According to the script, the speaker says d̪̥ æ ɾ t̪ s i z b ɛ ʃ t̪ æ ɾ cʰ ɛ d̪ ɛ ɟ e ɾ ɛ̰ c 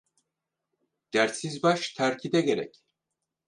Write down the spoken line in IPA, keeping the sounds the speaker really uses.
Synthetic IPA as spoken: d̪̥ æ ɾ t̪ s i z b a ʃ t̪ʰ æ ɾ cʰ i d̪ ɛ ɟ e ɾ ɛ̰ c